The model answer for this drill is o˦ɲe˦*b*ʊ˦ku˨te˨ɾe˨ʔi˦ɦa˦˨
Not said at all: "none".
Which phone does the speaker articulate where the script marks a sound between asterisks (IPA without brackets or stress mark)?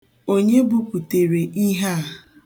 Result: b